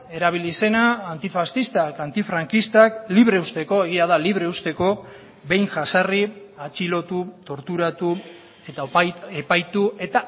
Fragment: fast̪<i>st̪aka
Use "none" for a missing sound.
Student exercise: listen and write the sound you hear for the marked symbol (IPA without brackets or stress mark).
i